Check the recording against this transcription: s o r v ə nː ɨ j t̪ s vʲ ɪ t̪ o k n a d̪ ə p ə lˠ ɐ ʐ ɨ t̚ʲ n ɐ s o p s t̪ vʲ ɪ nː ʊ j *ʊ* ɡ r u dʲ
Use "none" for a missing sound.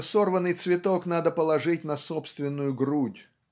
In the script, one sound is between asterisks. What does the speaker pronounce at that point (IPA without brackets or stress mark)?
ʊ